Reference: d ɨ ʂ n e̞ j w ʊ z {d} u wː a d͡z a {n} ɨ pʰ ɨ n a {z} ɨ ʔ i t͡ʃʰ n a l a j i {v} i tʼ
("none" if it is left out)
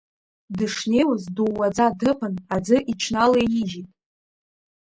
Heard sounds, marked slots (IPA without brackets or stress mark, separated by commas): d, d, d͡z, ʒ